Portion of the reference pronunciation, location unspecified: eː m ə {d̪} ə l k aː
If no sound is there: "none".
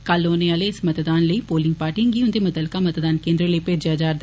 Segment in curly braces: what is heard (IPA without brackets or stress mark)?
t̪